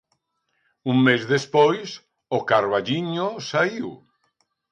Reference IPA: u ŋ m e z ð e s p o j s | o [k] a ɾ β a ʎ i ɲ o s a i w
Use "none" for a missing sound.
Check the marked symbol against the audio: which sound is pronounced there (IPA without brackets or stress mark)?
k